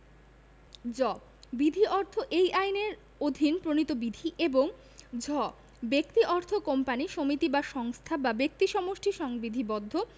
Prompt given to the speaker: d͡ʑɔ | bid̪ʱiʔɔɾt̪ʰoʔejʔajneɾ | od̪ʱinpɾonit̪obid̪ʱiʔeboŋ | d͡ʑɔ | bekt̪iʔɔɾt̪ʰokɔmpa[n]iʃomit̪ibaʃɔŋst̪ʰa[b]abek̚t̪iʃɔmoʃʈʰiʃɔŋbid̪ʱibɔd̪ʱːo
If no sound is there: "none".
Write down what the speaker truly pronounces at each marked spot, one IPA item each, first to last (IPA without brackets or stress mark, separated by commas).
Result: n, b